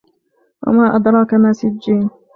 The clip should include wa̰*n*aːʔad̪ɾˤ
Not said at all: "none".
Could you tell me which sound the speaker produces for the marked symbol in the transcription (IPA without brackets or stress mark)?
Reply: m